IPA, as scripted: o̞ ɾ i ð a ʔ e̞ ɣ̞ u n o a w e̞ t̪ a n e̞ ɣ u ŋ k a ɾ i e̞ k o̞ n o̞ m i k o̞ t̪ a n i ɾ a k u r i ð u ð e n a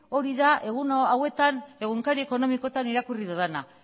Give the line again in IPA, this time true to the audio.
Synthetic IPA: o̞ ɾ i ð a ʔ e̞ ɣ̞ u n o a w e̞ t̪ a n e̞ ɣ u ŋ k a ɾ i e̞ k o̞ n o̞ m i k o̞ t̪ a n i ɾ a k u r i ð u ð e n a